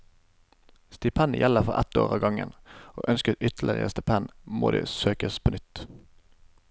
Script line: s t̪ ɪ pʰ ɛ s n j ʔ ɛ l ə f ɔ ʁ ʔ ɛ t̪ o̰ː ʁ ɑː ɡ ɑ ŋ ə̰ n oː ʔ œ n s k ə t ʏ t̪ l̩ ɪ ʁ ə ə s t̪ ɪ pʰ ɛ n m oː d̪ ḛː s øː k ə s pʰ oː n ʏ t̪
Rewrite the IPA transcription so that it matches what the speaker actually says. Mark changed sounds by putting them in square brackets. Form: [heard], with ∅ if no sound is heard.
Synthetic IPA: s t̪ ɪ pʰ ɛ [∅] n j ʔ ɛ l ə f ɔ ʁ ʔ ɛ t̪ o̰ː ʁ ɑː ɡ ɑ ŋ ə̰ n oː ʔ œ n s k ə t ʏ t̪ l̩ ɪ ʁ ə ə s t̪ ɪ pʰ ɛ n m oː d̪ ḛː s øː k ə s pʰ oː n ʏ t̪